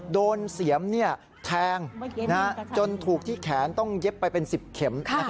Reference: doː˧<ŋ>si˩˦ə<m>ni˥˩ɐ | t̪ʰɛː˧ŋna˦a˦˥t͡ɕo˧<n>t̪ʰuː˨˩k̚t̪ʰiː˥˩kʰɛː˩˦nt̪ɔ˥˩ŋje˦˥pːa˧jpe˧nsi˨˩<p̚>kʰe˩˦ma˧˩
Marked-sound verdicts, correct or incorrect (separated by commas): incorrect, correct, correct, correct